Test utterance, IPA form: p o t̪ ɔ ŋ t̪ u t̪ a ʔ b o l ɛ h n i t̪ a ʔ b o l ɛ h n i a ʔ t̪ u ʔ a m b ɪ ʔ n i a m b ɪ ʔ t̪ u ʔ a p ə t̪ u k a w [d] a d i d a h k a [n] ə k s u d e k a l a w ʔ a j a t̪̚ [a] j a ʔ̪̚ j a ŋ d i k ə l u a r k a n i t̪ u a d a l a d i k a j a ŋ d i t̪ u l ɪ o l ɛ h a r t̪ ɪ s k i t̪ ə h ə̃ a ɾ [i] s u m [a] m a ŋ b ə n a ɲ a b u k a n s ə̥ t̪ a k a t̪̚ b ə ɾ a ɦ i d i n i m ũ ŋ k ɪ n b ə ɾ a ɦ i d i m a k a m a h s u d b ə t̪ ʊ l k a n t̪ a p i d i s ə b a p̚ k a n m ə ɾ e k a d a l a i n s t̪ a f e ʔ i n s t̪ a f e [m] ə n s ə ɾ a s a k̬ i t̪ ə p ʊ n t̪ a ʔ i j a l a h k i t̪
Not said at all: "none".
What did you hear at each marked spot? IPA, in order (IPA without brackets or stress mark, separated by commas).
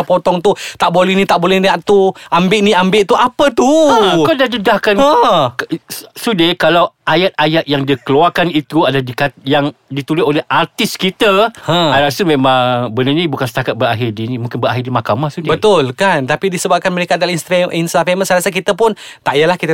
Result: d, n, a, a, e, m